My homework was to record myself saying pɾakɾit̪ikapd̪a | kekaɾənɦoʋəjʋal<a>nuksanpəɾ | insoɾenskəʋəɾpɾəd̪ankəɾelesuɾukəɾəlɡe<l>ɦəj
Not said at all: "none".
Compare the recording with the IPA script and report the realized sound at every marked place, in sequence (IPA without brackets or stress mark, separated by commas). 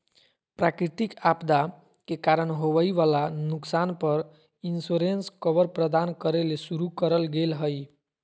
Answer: a, l